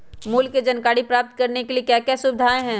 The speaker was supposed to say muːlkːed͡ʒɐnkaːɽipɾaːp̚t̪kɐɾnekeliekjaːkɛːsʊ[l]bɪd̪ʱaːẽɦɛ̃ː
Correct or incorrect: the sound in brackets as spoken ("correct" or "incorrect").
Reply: incorrect